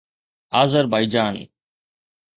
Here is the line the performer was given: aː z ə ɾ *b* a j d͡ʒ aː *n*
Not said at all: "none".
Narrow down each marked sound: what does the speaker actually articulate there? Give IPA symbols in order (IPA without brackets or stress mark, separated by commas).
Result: b, n